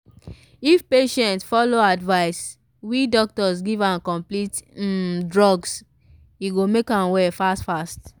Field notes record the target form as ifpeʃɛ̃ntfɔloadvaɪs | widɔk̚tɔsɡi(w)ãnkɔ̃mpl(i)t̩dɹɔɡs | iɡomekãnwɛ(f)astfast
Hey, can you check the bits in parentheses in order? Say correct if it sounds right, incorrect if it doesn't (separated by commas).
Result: incorrect, correct, correct